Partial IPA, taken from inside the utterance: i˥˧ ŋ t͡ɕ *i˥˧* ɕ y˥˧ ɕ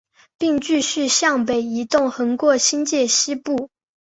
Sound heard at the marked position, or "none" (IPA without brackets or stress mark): y˥˧